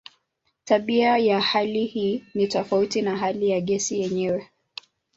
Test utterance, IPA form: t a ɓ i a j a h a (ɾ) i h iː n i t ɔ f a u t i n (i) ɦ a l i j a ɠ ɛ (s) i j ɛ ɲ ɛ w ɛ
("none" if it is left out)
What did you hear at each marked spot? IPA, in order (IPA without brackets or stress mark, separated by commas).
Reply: l, a, s